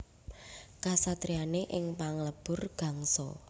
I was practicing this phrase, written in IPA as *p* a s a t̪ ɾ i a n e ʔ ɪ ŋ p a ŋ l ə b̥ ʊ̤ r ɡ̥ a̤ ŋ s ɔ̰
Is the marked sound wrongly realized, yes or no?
yes